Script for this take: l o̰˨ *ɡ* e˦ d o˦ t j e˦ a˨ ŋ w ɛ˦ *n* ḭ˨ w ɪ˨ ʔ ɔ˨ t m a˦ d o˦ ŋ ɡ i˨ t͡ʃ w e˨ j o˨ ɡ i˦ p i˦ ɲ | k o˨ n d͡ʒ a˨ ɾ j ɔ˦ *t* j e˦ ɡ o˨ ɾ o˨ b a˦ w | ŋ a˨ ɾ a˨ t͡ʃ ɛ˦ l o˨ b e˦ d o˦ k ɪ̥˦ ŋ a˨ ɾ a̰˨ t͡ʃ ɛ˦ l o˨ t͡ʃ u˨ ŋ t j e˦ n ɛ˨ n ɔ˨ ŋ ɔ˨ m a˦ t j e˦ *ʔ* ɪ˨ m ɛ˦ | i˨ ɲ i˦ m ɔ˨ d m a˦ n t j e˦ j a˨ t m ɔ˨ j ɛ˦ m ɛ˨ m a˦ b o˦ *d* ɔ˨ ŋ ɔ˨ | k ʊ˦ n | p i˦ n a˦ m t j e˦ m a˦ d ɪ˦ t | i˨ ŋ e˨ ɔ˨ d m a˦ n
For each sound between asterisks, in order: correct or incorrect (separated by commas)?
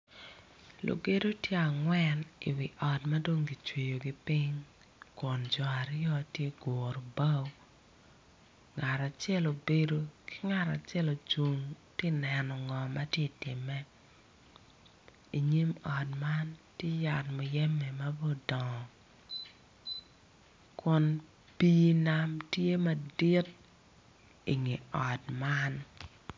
correct, correct, correct, incorrect, correct